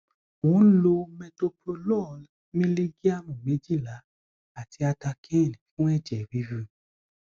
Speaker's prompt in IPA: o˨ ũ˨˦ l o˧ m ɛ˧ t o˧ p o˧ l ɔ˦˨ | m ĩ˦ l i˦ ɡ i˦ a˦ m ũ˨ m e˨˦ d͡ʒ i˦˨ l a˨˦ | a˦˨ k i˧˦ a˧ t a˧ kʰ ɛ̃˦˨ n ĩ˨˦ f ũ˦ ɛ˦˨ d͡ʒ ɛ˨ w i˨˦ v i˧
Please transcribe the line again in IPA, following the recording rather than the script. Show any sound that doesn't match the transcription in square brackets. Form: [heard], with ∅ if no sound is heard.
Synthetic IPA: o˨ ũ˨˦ l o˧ m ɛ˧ t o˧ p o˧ l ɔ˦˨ | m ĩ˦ l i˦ ɡ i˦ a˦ m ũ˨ m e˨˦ d͡ʒ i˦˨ l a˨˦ | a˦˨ [t] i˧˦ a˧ t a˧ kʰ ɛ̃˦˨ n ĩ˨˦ f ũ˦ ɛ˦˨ d͡ʒ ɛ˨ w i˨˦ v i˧